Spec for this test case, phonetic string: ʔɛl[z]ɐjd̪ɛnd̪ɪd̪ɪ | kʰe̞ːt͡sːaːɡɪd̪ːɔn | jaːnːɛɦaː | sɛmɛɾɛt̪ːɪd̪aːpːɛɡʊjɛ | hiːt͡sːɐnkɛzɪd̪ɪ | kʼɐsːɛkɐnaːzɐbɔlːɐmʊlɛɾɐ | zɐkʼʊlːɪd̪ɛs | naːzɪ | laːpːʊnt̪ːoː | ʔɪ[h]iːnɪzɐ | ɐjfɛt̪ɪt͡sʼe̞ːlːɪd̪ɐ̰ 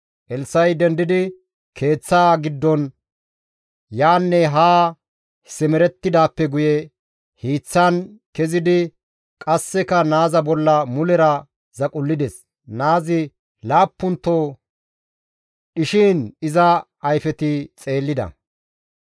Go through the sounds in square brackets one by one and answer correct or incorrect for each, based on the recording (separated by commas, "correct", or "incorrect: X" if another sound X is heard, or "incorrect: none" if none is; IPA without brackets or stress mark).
incorrect: s, incorrect: ʃ